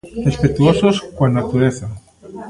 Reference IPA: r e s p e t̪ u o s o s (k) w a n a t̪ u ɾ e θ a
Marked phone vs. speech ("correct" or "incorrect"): correct